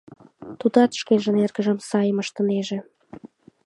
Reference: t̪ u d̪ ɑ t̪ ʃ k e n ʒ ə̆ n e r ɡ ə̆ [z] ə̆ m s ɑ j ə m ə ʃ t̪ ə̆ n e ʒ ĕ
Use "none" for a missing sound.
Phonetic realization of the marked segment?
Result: ʒ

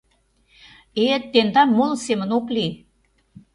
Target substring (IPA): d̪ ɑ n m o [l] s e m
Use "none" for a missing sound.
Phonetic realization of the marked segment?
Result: l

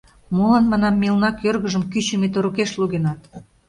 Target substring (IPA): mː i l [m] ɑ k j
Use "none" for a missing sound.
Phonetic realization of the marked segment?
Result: n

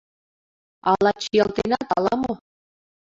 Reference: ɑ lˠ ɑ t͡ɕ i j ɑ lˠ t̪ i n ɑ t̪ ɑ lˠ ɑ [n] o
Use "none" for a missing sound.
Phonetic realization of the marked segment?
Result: m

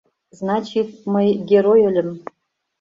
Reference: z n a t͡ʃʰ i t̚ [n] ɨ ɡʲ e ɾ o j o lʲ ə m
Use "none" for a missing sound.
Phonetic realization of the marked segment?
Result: m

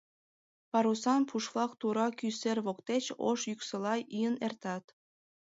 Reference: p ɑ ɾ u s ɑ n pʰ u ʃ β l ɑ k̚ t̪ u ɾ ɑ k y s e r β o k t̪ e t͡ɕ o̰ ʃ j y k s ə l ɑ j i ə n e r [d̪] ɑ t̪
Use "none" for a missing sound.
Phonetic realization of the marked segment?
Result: t̪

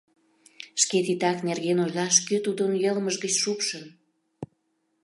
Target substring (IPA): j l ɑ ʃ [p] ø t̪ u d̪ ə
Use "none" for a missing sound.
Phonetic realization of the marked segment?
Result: k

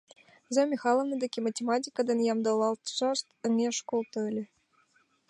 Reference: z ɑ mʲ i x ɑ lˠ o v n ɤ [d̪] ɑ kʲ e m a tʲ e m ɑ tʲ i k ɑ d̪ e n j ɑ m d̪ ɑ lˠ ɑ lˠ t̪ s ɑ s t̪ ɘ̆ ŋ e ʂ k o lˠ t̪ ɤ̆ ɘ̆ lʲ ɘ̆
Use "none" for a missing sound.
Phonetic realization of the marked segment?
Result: d̪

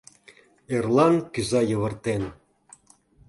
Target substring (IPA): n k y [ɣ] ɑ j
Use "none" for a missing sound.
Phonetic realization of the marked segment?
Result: z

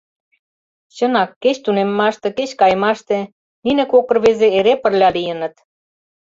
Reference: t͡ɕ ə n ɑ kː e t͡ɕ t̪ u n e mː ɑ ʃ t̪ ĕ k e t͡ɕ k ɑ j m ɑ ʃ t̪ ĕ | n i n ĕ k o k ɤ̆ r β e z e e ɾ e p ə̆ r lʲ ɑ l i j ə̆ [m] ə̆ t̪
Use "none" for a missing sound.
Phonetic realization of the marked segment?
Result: n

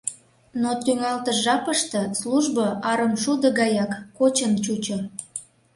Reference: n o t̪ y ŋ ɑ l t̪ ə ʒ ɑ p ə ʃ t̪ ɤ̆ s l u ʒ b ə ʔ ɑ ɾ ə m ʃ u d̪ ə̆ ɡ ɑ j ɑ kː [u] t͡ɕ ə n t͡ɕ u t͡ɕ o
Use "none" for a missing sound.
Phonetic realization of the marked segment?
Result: o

